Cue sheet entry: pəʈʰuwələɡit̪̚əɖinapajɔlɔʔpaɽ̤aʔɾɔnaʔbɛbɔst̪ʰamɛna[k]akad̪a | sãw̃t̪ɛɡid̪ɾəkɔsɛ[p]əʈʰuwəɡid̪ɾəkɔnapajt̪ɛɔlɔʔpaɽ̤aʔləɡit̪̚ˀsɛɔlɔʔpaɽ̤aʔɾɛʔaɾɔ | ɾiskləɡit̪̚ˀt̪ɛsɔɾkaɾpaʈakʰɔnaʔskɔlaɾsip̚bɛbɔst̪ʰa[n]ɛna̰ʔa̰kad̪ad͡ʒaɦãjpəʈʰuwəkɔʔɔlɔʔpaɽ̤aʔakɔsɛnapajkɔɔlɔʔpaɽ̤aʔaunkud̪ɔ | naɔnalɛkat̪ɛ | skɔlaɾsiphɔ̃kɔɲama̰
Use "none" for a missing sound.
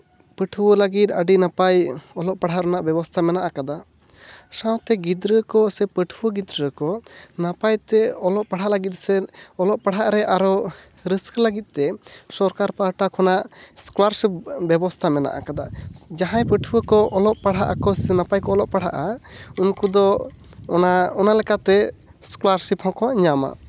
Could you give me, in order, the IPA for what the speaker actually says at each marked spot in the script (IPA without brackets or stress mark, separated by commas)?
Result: ʔ, p, m